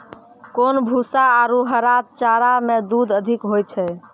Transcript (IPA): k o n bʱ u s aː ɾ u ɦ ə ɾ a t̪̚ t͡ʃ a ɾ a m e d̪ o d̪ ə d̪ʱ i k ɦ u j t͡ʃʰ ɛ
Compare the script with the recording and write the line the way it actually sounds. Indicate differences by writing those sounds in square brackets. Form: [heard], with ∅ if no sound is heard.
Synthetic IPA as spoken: k o n bʱ u s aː ɾ u ɦ ə ɾ a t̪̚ t͡ʃ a ɾ a m e d̪ [u] d̪ ə d̪ʱ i k ɦ [o] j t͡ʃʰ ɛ